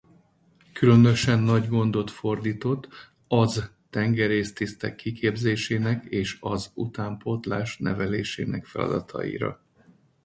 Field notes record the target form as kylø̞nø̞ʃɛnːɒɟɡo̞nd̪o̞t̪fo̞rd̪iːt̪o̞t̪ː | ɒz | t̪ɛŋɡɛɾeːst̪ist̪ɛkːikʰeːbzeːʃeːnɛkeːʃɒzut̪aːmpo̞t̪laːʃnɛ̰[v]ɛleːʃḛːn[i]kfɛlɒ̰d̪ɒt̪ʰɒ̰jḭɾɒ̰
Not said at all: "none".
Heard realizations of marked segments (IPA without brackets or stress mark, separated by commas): v, ɛ